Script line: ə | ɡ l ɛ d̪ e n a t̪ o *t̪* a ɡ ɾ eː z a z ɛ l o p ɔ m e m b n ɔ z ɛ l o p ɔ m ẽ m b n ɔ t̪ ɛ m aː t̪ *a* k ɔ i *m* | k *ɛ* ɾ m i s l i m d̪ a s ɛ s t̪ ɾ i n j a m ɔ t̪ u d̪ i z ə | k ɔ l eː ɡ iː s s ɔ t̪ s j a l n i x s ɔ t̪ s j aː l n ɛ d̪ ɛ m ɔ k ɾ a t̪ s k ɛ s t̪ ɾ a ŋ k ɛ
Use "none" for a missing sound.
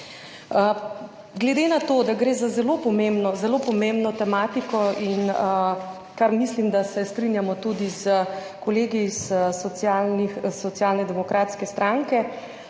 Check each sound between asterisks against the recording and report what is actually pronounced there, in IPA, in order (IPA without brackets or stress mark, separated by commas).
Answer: d̪, i, n, a